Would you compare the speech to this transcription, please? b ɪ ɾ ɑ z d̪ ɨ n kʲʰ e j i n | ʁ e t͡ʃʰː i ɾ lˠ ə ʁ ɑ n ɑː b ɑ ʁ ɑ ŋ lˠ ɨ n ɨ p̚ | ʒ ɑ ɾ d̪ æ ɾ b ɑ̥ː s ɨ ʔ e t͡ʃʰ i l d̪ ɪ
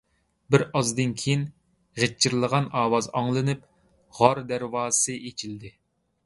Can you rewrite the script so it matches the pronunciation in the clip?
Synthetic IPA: b ɪ ɾ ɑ z d̪ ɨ n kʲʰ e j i n | ʁ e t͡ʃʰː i ɾ lˠ ə ʁ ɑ n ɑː w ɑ z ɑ ŋ lˠ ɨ n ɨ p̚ | ʁ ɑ ɾ d̪ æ ɾ w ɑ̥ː s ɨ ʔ e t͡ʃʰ i l d̪ ɪ